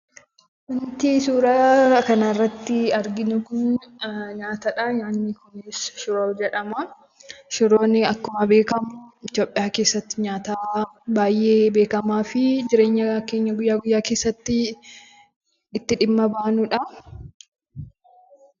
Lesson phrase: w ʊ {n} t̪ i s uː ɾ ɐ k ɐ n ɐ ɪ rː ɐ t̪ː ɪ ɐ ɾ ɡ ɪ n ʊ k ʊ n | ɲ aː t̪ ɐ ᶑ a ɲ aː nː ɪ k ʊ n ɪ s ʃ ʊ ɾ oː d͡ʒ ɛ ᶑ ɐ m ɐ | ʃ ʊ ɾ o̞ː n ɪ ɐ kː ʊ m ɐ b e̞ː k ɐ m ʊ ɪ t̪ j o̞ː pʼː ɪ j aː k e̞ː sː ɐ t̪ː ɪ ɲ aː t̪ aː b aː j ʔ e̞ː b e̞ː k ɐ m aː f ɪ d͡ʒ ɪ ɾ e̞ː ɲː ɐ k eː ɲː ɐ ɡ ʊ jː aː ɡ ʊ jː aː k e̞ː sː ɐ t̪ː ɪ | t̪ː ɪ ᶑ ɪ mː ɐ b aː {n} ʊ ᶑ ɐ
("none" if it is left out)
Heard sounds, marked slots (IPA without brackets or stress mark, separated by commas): n, n